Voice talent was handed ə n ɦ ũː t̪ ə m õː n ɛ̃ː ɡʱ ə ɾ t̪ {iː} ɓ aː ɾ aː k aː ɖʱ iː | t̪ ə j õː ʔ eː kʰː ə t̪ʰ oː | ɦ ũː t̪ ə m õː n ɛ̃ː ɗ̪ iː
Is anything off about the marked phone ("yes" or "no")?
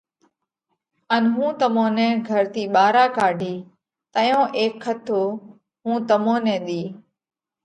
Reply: no